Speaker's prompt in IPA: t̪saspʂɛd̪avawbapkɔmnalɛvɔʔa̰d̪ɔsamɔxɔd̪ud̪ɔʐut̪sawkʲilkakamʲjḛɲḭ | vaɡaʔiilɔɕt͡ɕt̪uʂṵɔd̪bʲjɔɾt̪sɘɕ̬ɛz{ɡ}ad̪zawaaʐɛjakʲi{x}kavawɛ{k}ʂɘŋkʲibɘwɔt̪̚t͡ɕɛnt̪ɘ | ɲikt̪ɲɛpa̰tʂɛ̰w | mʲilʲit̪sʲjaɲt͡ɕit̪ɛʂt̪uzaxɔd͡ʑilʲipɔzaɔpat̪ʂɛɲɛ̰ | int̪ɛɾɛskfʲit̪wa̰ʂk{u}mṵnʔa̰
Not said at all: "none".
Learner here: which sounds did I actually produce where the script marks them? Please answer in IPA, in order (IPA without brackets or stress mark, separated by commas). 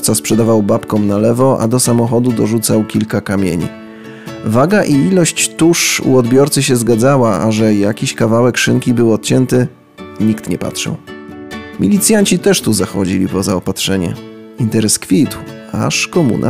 ɡ, ɕ, k, ɔ